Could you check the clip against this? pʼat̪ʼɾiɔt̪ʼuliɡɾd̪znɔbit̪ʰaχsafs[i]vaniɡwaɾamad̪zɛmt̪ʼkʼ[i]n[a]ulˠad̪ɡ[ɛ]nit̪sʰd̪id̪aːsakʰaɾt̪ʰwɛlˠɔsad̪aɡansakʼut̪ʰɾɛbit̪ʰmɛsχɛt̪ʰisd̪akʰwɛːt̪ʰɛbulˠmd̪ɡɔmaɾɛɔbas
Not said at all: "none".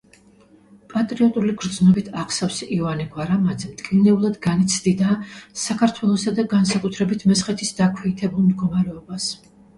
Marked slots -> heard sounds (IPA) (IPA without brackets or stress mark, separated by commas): i, i, ɛ, a